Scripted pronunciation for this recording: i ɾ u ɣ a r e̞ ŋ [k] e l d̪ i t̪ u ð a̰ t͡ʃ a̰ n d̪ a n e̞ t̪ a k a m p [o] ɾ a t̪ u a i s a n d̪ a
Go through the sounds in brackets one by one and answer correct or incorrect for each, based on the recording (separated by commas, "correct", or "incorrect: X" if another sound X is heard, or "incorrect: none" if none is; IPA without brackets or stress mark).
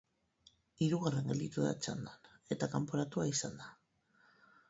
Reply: incorrect: ɡ, correct